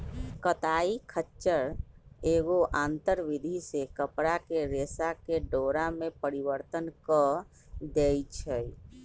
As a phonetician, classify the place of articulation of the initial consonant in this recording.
velar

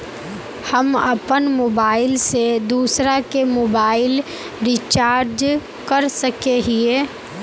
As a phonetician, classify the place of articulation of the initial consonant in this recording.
glottal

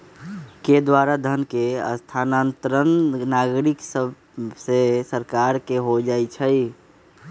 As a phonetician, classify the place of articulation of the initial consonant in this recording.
velar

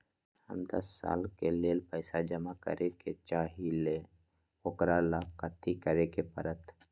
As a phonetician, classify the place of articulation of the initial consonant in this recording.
glottal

